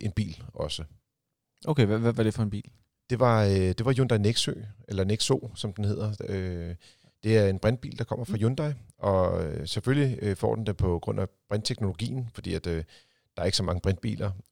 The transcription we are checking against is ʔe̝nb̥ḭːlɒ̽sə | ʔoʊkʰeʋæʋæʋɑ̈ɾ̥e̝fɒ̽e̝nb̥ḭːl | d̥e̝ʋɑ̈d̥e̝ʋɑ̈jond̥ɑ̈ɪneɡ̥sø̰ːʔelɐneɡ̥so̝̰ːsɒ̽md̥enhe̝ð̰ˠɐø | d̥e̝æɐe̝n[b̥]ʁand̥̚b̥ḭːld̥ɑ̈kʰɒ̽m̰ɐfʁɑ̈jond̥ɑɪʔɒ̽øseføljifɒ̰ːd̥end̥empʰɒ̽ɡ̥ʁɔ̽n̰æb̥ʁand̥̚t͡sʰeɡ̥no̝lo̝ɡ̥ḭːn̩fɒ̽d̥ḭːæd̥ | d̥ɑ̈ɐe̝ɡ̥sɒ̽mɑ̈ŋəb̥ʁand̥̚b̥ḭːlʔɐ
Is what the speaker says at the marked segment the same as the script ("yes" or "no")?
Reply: yes